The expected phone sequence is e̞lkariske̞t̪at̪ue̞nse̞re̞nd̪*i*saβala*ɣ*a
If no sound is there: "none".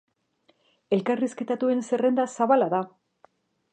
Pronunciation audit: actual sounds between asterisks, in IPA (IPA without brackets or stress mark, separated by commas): a, ð